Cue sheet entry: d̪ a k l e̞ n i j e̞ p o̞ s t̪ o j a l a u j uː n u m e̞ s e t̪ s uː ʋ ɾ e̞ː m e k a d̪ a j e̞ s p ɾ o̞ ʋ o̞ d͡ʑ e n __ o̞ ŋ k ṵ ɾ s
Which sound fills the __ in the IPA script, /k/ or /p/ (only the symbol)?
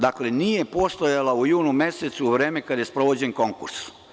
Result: k